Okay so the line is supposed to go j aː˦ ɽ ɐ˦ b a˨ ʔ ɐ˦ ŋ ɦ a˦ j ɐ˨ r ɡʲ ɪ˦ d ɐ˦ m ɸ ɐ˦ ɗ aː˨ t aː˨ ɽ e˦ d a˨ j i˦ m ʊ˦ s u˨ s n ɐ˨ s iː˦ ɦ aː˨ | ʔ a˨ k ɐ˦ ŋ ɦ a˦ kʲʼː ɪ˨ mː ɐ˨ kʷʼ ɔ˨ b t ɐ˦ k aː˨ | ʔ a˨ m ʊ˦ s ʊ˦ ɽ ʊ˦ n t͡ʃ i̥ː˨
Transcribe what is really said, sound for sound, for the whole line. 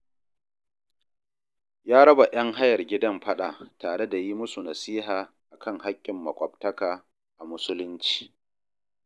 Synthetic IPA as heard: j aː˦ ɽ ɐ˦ b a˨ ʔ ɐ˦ ŋ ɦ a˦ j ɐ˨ r ɡʲ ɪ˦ d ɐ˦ m ɸ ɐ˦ ɗ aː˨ t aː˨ ɽ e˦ d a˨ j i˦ m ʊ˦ s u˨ n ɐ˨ s iː˦ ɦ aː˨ | ʔ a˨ k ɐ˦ ŋ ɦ a˦ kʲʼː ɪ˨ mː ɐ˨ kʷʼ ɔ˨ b t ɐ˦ k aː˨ | ʔ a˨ m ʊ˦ s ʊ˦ l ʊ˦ n t͡ʃ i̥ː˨